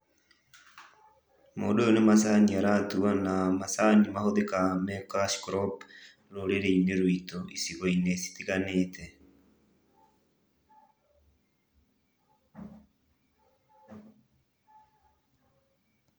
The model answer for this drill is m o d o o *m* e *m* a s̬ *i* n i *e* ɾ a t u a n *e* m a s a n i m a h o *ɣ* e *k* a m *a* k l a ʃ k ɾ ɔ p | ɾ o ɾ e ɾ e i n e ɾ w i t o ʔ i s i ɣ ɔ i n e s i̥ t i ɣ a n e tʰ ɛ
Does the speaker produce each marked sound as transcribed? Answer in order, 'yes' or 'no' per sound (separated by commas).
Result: no, yes, no, no, no, no, yes, no